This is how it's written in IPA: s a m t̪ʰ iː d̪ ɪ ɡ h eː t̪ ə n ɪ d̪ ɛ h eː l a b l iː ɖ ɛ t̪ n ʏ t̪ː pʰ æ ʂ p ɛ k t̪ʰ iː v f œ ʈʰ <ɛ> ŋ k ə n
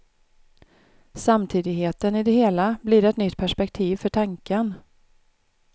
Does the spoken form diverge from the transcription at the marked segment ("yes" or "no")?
yes